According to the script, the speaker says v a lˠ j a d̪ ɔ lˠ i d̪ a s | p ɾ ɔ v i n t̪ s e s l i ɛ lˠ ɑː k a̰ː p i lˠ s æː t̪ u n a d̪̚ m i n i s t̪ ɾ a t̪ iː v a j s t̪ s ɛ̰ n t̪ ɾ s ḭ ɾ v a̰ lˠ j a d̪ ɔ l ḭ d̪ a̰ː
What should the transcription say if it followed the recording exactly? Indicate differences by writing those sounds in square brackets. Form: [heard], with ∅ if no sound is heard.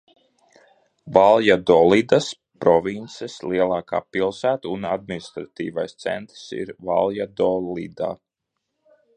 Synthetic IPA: v a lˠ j a d̪ ɔ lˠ i d̪ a s | p ɾ ɔ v i n t̪ s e s l i ɛ lˠ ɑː k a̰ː p i lˠ s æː t̪ u n a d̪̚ m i n i s t̪ ɾ a t̪ iː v a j s t̪ s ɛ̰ n t̪ ɾ s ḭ ɾ v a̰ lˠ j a d̪ ɔ l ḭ d̪ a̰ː